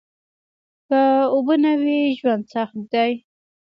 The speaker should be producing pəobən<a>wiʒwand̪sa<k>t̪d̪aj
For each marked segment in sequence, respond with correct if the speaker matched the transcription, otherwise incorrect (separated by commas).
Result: correct, incorrect